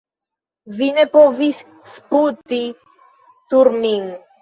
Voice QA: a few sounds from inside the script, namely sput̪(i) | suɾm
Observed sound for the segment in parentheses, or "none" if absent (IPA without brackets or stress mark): i